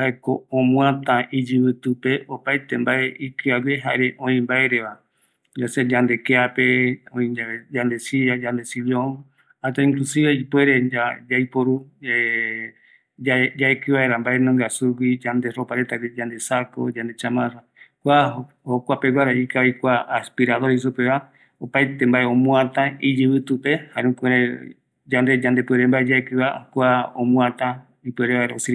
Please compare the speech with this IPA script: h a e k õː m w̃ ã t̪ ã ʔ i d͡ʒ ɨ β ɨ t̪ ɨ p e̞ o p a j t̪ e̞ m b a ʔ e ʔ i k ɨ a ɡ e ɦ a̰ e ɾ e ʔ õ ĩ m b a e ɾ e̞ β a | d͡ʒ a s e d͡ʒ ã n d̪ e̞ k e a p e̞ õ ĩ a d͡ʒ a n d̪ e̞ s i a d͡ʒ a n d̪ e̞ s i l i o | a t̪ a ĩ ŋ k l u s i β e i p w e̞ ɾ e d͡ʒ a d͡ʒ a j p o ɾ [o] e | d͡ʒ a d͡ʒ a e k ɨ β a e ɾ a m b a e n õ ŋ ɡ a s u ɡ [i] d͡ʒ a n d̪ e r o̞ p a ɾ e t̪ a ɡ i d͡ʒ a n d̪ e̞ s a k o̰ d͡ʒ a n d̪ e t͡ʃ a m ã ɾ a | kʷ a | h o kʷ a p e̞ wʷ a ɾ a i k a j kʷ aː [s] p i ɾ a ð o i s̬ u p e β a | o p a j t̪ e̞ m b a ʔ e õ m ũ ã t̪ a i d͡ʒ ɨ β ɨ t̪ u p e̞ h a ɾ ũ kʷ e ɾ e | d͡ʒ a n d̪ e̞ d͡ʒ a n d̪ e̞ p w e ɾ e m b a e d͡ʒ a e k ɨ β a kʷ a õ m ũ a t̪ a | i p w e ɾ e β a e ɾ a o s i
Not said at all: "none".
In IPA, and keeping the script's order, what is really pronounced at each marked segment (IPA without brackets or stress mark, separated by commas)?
u, i, s